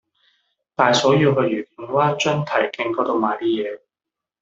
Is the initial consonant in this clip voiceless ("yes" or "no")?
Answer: yes